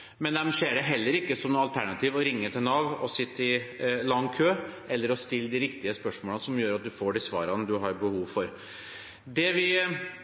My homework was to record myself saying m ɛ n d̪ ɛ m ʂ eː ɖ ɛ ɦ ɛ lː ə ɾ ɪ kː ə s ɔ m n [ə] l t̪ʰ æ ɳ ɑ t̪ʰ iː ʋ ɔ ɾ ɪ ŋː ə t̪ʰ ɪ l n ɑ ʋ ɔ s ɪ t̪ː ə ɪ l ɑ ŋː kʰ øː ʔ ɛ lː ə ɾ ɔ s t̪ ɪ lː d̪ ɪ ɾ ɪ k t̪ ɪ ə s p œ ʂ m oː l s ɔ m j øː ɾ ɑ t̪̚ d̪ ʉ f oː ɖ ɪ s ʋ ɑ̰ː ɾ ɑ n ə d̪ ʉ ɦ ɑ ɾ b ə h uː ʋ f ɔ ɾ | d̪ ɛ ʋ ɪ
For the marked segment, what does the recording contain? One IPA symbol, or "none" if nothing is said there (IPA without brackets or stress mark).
ɑ